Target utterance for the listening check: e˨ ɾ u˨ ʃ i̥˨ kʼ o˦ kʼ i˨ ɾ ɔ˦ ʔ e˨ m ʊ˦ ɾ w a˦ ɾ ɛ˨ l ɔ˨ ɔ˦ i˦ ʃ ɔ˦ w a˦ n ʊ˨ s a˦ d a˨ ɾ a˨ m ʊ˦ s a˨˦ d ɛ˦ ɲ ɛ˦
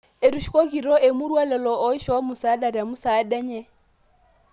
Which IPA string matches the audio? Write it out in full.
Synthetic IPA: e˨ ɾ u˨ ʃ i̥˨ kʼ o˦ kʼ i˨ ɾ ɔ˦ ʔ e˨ m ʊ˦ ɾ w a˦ l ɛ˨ l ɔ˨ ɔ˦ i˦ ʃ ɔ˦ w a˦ m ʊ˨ s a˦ d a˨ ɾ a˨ m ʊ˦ s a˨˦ d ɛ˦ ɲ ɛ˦